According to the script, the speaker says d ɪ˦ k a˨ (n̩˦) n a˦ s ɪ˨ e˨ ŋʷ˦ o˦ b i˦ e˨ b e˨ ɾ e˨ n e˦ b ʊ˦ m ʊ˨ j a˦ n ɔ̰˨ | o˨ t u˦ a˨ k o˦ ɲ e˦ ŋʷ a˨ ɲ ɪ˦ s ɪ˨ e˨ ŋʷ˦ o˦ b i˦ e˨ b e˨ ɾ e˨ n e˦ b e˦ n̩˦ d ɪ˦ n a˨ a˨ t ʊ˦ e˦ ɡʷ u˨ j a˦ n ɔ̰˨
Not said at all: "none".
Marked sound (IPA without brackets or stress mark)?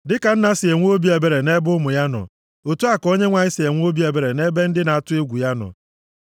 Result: n̩˦